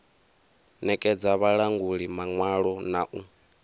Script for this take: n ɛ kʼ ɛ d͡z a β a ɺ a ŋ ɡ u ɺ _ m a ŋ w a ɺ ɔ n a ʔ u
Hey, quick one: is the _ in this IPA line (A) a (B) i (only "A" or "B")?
B